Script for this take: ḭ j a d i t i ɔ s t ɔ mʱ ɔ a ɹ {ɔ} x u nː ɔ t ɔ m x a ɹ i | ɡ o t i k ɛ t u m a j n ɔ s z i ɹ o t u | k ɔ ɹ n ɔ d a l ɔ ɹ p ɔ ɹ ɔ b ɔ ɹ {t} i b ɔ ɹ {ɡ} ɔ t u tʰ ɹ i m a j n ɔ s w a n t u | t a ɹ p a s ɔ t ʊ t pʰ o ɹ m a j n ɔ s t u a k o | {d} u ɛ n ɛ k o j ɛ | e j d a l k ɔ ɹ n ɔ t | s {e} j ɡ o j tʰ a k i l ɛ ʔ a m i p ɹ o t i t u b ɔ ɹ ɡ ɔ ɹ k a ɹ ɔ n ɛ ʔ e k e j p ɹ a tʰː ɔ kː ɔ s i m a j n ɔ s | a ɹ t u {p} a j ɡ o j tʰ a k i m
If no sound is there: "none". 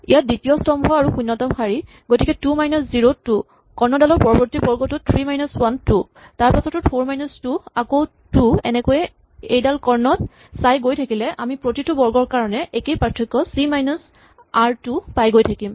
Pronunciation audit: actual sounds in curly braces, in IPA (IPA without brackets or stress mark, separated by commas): u, t, ɡ, t, a, p